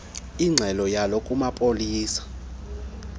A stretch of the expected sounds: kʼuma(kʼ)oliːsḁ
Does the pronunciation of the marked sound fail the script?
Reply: yes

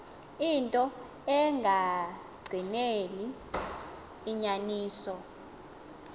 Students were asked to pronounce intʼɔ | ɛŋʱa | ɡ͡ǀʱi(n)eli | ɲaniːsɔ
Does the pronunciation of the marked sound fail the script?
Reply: no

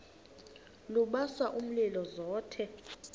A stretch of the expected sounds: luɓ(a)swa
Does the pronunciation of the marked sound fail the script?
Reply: no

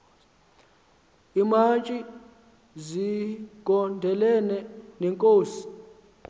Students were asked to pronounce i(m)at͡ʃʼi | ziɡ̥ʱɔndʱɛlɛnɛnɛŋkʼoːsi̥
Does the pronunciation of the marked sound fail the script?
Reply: no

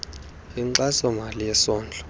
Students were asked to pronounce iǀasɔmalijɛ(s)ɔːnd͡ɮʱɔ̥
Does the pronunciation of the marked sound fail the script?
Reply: no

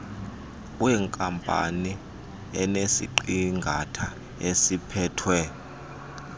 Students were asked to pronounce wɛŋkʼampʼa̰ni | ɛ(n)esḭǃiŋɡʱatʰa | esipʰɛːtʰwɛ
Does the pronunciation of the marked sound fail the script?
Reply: no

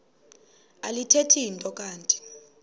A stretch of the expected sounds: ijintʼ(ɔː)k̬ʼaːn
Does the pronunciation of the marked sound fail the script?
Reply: yes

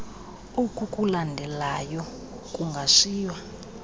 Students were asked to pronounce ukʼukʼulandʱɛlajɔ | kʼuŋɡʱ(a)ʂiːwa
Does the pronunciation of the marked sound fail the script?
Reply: no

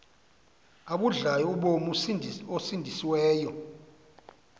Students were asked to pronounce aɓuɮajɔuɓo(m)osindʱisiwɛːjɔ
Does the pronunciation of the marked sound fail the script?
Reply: no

